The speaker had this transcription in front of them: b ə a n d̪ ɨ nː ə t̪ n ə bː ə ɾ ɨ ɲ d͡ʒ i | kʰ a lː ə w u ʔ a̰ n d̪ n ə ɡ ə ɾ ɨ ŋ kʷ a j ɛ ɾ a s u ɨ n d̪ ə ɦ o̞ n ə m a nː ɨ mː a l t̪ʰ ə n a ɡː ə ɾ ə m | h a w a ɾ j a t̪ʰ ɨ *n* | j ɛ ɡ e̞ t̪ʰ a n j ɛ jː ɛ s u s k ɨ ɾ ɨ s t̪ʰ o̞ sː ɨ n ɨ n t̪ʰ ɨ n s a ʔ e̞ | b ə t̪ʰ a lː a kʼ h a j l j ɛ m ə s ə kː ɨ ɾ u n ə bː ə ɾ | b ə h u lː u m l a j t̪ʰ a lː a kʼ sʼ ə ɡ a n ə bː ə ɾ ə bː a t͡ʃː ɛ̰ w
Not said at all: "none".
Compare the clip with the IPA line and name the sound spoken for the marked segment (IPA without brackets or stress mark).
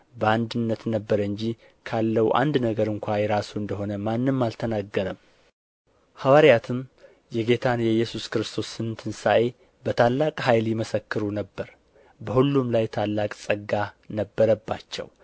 m